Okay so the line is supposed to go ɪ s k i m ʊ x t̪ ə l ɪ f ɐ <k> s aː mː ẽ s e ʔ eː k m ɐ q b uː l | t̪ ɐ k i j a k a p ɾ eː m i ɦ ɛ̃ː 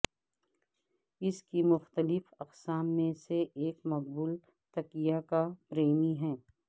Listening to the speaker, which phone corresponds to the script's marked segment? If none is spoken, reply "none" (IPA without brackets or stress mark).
q